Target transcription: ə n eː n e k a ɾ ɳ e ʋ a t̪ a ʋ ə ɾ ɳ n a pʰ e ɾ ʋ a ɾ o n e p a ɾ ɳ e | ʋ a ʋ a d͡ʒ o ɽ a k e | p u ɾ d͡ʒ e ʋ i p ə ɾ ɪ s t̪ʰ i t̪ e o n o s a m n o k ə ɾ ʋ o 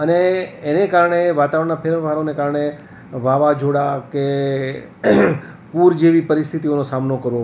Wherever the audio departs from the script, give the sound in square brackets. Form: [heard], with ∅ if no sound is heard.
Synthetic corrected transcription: ə n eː n e k a ɾ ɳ e ʋ a t̪ a ʋ ə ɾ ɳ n a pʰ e ɾ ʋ a ɾ o n e [k] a ɾ ɳ e | ʋ a ʋ a d͡ʒ o ɽ a k e | p u ɾ d͡ʒ e ʋ i p ə ɾ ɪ s t̪ʰ i t̪ [i] o n o s a m n o k ə ɾ ʋ o